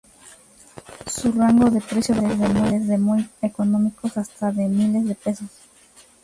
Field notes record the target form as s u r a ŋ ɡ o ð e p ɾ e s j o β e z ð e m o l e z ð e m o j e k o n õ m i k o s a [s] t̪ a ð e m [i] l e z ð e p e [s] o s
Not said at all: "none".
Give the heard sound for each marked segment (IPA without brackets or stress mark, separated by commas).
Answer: s, i, s